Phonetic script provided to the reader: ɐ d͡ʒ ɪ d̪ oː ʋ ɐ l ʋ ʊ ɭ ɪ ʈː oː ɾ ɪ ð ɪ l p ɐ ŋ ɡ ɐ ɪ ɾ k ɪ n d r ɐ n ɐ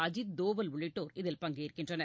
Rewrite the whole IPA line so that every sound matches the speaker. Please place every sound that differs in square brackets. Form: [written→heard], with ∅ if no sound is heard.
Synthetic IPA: ɐ d͡ʒ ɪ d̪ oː ʋ ɐ l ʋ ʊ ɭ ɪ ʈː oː ɾ ɪ ð ɪ l p ɐ ŋ ɡ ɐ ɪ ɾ k ɪ n d r ɐ n ɐ